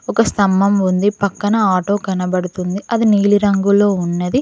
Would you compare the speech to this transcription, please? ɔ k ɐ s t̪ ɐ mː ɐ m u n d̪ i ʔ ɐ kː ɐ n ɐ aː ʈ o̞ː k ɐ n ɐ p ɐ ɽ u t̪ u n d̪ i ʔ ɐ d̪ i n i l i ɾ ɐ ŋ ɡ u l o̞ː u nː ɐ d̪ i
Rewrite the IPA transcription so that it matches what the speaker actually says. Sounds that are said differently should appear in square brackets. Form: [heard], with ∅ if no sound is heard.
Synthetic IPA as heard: ɔ k ɐ s t̪ ɐ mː ɐ m u n d̪ i [p] ɐ kː ɐ n ɐ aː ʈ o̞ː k ɐ n ɐ [b] ɐ ɽ u t̪ u n d̪ i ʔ ɐ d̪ i n [iː] l i ɾ ɐ ŋ ɡ u l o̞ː u nː ɐ d̪ i